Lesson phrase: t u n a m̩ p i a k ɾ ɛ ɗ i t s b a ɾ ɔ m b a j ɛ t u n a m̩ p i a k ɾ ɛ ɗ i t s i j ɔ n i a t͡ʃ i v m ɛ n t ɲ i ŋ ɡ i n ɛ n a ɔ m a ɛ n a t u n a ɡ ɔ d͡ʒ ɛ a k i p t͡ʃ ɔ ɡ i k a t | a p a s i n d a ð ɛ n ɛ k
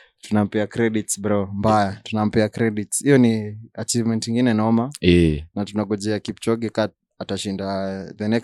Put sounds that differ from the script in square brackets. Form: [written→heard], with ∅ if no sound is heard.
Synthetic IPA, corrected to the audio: t u n a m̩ p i a k ɾ ɛ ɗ i t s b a ɾ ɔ m b a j [ɛ→a] t u n a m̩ p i a k ɾ ɛ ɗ i t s i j ɔ n i a t͡ʃ i v m ɛ n t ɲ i ŋ ɡ i n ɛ n a ɔ m a ɛ n a t u n a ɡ ɔ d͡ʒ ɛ a k i p t͡ʃ ɔ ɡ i k a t | a [p→t] a [s→ʃ] i n d a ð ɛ n ɛ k